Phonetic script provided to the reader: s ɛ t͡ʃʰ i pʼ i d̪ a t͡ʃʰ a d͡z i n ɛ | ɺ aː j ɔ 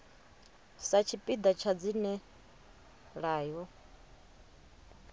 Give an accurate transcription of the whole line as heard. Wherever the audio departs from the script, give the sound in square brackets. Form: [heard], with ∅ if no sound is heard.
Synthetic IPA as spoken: s [a] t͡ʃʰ i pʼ i d̪ a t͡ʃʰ a d͡z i n ɛ | ɺ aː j ɔ